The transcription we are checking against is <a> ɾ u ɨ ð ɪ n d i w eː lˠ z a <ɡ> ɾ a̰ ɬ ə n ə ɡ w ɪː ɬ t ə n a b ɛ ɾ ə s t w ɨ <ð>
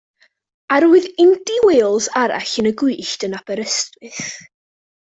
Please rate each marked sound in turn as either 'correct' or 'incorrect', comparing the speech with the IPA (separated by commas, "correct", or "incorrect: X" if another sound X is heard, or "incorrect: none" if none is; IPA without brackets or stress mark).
correct, incorrect: none, incorrect: θ